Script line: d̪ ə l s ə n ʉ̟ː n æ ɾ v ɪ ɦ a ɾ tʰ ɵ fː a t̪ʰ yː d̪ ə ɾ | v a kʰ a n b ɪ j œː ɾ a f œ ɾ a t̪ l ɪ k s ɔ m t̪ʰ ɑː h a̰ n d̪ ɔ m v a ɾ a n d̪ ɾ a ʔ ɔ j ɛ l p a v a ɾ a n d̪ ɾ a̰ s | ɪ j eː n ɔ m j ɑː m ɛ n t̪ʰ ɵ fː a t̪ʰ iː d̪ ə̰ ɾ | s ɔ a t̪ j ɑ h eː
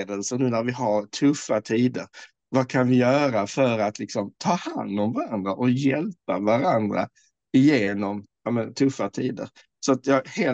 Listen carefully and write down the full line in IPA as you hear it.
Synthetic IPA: d̪ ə l s ə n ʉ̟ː n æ ɾ v ɪ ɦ a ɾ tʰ ɵ fː a t̪ʰ iː d̪ ə ɾ | v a kʰ a n v ɪ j œː ɾ a f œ ɾ a t̪ l ɪ k s ɔ m t̪ʰ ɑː h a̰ n d̪ ɔ m v a ɾ a n d̪ ɾ a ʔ ɔ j ɛ l p a v a ɾ a n d̪ ɾ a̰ | ɪ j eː n ɔ m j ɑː m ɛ n t̪ʰ ɵ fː a t̪ʰ iː d̪ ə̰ ɾ | s ɔ a t̪ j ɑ h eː